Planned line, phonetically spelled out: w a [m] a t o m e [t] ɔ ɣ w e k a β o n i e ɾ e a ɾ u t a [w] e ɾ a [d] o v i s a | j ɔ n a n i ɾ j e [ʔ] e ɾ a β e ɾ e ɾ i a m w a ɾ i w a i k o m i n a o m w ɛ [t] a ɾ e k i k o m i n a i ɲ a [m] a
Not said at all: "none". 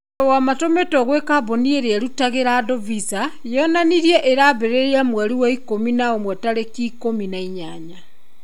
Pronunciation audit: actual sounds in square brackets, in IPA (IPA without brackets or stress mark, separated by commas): m, t, ɣ, d, ʔ, t, ɲ